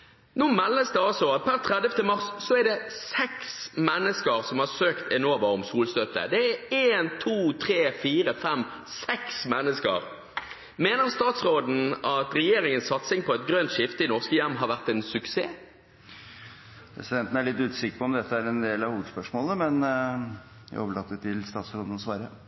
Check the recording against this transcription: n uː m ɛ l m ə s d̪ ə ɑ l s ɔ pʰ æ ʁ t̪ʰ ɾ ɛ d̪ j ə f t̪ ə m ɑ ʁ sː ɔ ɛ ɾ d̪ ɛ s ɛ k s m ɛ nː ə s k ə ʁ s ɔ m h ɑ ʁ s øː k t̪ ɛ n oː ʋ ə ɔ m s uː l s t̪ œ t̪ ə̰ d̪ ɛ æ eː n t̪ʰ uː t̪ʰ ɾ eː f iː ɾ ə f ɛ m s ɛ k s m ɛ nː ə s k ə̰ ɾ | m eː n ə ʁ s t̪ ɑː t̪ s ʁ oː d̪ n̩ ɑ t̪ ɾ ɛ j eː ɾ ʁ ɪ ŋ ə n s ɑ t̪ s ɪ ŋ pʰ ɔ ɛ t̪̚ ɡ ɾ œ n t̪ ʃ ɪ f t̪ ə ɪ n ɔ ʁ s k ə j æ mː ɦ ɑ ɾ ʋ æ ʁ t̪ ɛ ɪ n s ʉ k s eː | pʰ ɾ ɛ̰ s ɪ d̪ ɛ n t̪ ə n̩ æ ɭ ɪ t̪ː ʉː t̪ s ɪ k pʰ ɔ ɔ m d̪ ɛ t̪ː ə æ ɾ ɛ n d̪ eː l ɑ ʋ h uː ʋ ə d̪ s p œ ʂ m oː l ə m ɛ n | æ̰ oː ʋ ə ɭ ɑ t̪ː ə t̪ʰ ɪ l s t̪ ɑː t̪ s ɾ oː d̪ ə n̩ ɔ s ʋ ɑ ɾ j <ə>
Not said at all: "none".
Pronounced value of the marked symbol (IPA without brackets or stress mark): ə